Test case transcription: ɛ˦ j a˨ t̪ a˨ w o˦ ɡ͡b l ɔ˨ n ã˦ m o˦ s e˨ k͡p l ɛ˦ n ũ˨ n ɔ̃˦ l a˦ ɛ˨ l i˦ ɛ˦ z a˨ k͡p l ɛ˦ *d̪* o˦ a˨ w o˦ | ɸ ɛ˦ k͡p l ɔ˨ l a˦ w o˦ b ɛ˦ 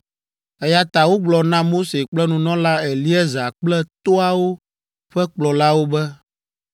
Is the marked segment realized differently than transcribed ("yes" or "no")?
yes